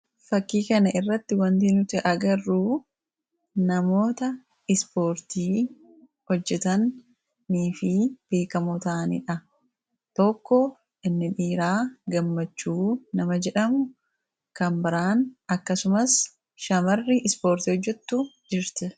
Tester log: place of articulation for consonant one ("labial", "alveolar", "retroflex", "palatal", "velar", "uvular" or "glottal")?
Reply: labial